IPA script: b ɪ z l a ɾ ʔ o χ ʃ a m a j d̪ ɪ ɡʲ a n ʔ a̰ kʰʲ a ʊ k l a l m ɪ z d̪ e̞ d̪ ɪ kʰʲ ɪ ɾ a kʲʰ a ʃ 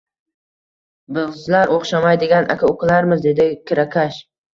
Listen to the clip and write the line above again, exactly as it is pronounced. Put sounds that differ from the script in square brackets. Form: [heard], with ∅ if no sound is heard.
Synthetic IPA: b ɪ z l a ɾ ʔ o χ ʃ a m a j d̪ ɪ ɡʲ a n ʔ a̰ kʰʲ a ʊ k l a [ɾ] m ɪ z d̪ e̞ d̪ ɪ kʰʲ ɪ ɾ a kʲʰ a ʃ